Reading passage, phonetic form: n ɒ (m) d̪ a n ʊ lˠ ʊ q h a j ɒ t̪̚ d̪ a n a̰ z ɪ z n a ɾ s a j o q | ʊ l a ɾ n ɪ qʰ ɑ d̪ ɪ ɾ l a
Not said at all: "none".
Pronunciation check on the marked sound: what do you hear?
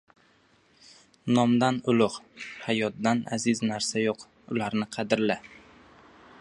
m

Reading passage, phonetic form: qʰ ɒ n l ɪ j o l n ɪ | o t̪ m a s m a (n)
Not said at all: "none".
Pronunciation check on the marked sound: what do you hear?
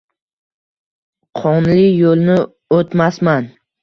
n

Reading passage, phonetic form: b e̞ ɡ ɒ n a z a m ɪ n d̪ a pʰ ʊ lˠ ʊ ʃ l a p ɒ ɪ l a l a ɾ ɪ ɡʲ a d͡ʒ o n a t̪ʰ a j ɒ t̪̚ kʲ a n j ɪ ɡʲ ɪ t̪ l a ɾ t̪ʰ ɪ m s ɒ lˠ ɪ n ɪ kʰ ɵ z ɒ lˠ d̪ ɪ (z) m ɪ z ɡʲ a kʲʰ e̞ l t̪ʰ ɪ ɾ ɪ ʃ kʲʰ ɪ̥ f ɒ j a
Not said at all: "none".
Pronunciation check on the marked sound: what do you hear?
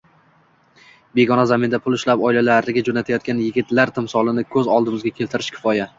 none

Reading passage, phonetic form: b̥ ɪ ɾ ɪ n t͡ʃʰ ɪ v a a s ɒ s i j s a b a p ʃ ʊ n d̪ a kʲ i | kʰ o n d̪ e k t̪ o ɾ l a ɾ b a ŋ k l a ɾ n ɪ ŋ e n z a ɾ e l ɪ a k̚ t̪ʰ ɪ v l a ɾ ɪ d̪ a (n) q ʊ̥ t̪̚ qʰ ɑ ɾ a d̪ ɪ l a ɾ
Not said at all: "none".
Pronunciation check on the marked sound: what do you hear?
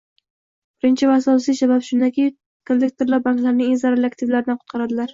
n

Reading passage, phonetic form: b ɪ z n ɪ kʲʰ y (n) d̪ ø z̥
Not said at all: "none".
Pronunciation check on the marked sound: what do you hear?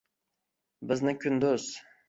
n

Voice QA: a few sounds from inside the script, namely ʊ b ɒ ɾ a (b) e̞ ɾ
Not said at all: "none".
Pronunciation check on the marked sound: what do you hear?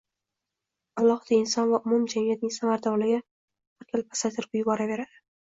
v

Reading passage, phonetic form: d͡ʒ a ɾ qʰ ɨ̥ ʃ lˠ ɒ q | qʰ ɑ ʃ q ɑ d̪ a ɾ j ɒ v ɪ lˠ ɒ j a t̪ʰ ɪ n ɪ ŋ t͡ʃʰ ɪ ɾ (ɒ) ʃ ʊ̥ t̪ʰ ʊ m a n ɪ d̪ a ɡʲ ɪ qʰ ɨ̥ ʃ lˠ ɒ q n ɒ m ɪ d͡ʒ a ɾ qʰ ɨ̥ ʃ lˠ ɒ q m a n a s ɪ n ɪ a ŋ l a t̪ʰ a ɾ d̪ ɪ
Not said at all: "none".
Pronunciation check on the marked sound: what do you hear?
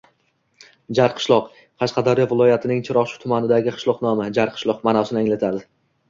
ɒ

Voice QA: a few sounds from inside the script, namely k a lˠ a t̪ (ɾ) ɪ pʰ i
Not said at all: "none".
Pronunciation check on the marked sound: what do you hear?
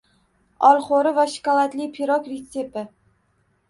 l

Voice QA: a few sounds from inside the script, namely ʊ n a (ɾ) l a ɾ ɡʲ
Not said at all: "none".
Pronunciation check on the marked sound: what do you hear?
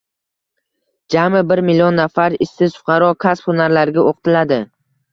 ɾ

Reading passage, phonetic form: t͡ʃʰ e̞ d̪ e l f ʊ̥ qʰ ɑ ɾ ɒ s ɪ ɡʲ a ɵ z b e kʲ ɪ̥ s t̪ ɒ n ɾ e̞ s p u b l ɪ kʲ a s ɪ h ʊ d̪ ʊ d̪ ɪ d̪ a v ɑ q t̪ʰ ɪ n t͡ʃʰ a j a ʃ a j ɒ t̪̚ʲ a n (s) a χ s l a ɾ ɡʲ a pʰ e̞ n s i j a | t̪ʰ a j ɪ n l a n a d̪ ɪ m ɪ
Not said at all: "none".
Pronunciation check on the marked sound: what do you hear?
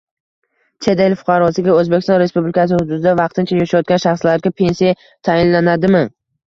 ʃ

